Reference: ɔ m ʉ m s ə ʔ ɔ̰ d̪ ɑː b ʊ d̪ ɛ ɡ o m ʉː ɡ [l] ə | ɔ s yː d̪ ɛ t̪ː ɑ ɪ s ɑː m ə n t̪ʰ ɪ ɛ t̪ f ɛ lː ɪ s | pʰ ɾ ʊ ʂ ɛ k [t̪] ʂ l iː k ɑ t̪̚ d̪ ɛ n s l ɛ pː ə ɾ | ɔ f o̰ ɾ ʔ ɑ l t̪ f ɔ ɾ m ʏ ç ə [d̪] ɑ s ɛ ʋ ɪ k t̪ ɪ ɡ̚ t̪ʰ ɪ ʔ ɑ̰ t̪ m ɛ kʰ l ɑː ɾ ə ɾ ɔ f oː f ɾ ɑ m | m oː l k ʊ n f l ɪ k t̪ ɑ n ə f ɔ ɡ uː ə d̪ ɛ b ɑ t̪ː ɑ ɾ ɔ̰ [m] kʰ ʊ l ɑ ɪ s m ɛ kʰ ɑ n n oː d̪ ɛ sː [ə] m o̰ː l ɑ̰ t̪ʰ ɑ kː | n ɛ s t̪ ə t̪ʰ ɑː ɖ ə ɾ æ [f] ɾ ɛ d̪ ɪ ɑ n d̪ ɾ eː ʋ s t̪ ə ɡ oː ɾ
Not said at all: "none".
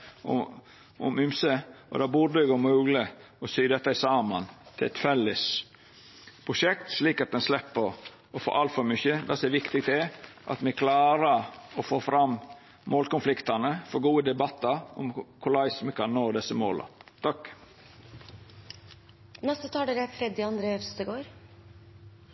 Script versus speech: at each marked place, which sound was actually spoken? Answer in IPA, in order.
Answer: l, t̪, d̪, m, ə, f

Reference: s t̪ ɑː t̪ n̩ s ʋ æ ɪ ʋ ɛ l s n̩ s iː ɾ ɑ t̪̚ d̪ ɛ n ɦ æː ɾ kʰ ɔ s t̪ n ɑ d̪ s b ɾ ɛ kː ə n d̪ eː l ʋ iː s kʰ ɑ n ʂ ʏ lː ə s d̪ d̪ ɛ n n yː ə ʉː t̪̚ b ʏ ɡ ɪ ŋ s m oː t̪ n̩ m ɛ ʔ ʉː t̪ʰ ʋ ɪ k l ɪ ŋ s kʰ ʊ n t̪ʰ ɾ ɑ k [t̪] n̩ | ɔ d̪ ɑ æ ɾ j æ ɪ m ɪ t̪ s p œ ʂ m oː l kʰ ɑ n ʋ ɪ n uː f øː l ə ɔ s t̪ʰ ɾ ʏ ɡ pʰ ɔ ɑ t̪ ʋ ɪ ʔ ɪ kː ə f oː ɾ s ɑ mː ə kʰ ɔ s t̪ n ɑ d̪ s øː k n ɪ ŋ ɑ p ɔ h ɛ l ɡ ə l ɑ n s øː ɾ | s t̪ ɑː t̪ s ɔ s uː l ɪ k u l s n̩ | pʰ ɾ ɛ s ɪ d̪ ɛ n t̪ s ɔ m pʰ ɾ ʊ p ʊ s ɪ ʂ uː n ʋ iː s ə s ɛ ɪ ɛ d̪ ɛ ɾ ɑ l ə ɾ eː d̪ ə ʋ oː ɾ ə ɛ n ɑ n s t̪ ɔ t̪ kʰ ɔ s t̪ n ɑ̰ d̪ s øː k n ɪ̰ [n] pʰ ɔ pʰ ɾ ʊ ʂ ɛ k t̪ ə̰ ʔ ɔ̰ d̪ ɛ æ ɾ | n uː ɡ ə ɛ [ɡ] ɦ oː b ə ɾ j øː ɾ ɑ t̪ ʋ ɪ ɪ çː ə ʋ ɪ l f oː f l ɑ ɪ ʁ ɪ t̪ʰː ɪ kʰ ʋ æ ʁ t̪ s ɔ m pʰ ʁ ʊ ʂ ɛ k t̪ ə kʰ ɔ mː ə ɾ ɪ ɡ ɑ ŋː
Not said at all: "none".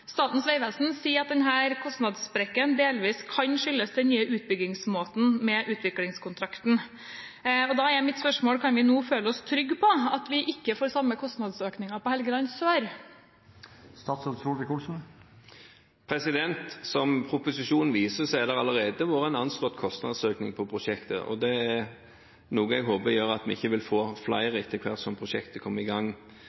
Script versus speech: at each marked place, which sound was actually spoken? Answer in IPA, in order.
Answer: t̪, ŋ, ɡ

